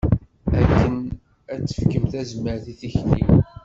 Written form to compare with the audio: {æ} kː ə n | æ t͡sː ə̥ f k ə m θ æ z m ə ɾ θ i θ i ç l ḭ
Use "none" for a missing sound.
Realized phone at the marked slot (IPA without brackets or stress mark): æ